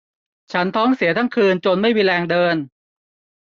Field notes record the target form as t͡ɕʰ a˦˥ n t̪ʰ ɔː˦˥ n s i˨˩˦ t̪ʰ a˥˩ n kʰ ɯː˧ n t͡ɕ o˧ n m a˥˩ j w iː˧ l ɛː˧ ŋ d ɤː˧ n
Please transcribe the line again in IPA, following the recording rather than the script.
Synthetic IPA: t͡ɕʰ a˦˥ n t̪ʰ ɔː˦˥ ŋ s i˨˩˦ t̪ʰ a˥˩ ŋ kʰ ɯː˧ n t͡ɕ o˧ n m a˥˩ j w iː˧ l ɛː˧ ŋ d ɤː˧ n